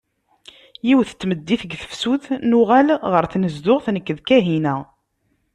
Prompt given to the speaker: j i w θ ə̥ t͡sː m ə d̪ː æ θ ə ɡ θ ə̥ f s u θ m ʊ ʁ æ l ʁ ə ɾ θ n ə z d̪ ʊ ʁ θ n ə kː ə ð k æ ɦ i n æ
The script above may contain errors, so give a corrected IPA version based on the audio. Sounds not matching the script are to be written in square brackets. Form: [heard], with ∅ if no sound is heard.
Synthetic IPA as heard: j i w θ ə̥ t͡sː m ə d̪ː [i] θ ə ɡ θ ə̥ f s u θ [n] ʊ ʁ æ l ʁ ə ɾ θ n ə z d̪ ʊ ʁ θ n ə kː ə ð k æ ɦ i n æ